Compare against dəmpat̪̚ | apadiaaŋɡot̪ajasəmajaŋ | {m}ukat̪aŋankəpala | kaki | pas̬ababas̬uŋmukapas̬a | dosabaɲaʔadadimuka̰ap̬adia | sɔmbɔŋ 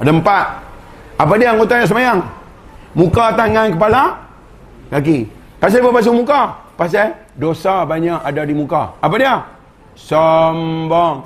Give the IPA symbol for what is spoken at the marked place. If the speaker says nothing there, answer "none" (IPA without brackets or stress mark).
m